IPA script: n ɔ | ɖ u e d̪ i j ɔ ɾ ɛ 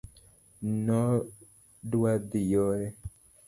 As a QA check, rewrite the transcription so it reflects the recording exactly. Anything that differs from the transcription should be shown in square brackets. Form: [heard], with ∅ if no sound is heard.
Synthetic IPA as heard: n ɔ | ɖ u [a] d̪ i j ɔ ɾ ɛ

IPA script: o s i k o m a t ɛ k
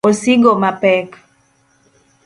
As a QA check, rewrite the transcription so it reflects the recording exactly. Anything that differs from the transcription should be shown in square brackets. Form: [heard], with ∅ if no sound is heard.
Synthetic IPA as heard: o s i [ɡ] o m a [p] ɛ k

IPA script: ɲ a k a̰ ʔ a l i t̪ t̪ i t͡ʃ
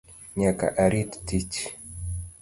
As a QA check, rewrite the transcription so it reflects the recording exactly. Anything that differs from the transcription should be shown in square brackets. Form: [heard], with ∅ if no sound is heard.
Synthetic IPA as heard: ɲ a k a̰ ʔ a [ɾ] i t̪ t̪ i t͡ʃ

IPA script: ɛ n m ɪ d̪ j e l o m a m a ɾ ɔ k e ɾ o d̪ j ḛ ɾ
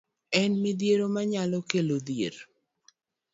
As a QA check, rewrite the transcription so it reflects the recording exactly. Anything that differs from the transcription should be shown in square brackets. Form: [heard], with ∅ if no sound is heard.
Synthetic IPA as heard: ɛ n m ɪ d̪ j e [ɾ] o m a [ɲ] a [l] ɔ k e [l] o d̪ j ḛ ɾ

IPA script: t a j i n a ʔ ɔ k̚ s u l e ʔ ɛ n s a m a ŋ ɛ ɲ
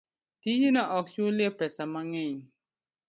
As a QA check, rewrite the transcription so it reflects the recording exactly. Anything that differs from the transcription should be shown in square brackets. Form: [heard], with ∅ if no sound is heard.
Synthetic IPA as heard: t [i] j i n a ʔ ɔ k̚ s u l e [p] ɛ [∅] s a m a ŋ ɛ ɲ

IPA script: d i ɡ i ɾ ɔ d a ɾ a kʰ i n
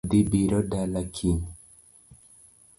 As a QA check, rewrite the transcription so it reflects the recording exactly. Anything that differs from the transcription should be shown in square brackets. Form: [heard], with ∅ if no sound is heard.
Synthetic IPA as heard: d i [b] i ɾ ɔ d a [l] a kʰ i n

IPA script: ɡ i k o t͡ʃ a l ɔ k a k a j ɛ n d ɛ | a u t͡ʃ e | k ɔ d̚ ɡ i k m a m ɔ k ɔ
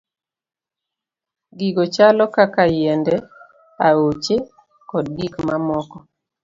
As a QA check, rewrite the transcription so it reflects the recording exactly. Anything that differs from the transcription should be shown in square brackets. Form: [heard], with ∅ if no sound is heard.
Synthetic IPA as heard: ɡ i [ɡ] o t͡ʃ a l ɔ k a k a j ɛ n d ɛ | a [o] t͡ʃ e | k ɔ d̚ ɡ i k m a m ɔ k ɔ

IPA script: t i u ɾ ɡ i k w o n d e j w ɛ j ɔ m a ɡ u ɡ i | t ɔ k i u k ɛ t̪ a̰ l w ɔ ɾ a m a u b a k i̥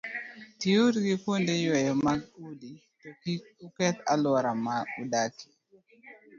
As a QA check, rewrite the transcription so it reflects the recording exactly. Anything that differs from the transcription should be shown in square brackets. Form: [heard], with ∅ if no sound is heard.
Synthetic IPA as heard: t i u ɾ ɡ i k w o n d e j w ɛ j ɔ m a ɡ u [d] i | t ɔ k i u k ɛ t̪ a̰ l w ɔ ɾ a m a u [d] a k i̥

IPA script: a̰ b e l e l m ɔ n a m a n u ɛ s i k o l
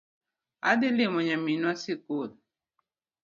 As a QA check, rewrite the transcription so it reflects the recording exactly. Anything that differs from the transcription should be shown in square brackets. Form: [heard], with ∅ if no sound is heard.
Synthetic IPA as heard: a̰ [d] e l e [∅] m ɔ [ɲ] a m [i] n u [a] s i k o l

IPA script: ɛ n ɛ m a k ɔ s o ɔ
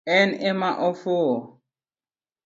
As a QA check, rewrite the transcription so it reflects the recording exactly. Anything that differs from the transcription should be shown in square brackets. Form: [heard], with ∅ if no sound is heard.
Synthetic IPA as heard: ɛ n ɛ m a [ʔ] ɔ [f] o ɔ

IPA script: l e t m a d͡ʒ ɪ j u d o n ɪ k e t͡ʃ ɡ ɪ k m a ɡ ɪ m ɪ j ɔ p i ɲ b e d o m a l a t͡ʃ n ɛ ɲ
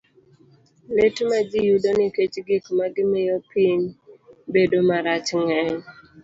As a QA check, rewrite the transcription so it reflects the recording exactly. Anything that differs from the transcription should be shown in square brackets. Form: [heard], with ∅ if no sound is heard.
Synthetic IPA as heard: l e t m a d͡ʒ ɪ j u d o n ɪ k e t͡ʃ ɡ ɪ k m a ɡ ɪ m ɪ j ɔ p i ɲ b e d o m a [ɾ] a t͡ʃ [ŋ] ɛ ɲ

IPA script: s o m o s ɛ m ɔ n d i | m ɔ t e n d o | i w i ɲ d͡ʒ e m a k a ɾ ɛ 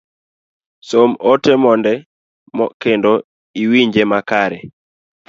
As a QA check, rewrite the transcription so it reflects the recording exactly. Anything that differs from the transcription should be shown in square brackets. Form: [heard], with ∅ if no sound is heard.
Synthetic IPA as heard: s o m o [t] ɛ m ɔ n d [ɛ] | m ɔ [k] e n d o | i w i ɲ d͡ʒ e m a k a ɾ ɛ

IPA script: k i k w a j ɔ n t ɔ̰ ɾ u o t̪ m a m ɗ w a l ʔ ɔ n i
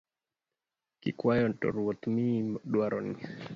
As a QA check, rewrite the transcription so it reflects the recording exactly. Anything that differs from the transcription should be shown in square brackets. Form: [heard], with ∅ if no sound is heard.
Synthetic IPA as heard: k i k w a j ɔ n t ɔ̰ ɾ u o t̪ m [i] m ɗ w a [ɾ] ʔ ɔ n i

